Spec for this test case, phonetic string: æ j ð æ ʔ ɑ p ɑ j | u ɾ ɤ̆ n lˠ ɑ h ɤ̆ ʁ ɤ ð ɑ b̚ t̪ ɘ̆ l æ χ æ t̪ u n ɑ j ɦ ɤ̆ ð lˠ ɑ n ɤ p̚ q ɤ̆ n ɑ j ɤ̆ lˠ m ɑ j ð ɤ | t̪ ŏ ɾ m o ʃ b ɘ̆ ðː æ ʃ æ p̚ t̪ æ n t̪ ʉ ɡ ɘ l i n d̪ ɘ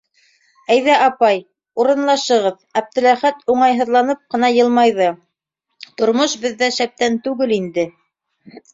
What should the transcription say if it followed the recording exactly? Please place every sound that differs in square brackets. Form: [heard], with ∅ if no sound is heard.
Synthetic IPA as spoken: æ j ð æ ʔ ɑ p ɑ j | u ɾ ɤ̆ n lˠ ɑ [ʃ] ɤ̆ ʁ ɤ ð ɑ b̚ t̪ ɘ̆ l æ χ æ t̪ u [ɴ] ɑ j ɦ ɤ̆ ð lˠ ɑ n ɤ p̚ q ɤ̆ n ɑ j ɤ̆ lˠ m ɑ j ð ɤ | t̪ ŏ ɾ m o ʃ b ɘ̆ ðː æ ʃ æ p̚ t̪ æ n t̪ ʉ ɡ ɘ l i n d̪ ɘ

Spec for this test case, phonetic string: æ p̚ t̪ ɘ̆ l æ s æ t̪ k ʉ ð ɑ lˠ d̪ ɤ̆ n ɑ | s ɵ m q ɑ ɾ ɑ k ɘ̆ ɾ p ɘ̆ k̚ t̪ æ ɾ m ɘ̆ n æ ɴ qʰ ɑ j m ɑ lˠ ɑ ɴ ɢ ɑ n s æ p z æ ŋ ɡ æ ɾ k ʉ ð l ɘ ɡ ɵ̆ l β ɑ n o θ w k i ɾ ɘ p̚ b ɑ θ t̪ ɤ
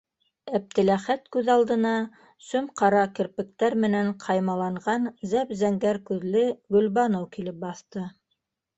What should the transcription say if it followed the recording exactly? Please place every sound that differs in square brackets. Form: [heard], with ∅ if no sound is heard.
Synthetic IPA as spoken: æ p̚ t̪ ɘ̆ l æ [χ] æ t̪ k ʉ ð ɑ lˠ d̪ ɤ̆ n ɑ | s ɵ m q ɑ ɾ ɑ k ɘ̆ ɾ p ɘ̆ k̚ t̪ æ ɾ m ɘ̆ n æ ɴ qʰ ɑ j m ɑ lˠ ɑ ɴ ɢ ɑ n [z] æ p z æ ŋ ɡ æ ɾ k ʉ ð l ɘ ɡ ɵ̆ l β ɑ n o [∅] w k i [l] ɘ p̚ b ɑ θ t̪ ɤ

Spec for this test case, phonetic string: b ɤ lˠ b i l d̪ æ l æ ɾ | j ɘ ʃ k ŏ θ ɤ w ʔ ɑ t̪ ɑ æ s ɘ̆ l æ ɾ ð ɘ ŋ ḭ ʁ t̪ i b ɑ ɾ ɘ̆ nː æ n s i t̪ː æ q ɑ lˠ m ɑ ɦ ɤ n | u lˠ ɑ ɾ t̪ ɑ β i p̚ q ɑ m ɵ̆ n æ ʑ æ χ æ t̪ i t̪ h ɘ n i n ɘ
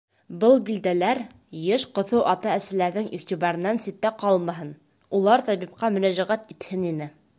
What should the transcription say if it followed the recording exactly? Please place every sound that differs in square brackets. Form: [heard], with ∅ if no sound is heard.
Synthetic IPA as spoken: b ɤ lˠ b i l d̪ æ l æ ɾ | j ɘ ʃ [q] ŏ θ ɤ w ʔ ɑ t̪ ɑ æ s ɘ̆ l æ ɾ ð ɘ ŋ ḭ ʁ t̪ i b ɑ ɾ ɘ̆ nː æ n s i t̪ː æ q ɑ lˠ m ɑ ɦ ɤ n | u lˠ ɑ ɾ t̪ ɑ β i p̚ q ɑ m ɵ̆ n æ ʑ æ [ʁ] æ t̪ i t̪ h ɘ n i n ɘ

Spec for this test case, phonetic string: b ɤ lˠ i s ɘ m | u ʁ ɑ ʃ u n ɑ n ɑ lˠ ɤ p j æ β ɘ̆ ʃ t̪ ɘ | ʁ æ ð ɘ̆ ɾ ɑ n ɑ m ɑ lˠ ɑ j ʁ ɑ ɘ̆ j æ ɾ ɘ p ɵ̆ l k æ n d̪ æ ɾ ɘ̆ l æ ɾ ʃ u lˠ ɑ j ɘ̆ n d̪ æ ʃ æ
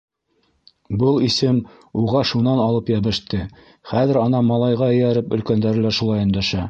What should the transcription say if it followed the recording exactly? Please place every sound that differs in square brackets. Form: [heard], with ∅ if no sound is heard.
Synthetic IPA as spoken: b ɤ lˠ i s ɘ m | u ʁ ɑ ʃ u n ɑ n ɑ lˠ ɤ p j æ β ɘ̆ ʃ t̪ ɘ | [χ] æ ð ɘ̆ ɾ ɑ n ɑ m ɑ lˠ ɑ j ʁ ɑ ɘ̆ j æ ɾ ɘ p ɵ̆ l k æ n d̪ æ ɾ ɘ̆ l æ ɾ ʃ u lˠ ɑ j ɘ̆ n d̪ æ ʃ æ

